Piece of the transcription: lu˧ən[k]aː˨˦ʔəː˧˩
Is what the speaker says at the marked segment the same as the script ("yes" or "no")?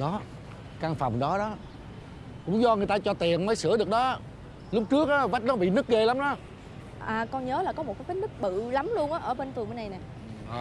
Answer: no